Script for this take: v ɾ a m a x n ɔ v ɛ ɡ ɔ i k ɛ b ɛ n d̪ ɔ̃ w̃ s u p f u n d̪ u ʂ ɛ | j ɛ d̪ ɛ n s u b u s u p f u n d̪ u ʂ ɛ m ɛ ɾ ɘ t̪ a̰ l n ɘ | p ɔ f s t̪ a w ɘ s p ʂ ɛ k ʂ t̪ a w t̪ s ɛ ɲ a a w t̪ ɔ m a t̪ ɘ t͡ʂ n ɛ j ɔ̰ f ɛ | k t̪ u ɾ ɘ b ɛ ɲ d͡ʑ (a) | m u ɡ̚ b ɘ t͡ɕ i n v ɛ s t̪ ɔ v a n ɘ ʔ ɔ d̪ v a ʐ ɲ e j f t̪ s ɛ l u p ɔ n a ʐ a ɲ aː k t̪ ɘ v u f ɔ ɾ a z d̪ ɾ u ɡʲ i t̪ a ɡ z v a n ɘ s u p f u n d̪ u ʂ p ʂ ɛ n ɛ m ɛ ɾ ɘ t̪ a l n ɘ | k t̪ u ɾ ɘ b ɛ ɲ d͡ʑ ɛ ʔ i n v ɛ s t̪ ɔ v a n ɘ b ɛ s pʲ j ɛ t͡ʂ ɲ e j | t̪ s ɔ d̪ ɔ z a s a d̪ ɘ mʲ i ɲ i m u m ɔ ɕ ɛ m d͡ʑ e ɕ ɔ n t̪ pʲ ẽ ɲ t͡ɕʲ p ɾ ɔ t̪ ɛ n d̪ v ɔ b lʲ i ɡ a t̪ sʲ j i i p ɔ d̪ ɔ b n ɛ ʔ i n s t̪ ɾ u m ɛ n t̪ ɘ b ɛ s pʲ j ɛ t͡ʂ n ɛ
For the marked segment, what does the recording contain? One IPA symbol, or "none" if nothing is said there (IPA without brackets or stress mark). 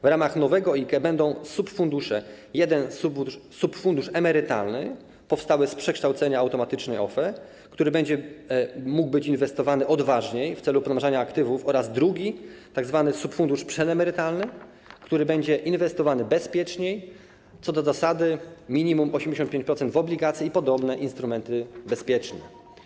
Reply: ɛ